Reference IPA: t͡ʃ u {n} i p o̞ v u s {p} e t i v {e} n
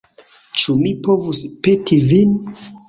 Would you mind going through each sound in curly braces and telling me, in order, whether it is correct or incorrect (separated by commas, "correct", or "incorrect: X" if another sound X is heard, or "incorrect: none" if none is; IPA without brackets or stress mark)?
incorrect: m, correct, incorrect: i